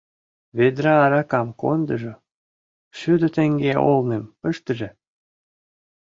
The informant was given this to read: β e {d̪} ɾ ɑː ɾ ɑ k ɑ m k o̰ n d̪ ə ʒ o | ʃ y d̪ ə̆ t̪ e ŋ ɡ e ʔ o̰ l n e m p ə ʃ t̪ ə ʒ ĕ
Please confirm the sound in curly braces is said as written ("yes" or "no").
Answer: yes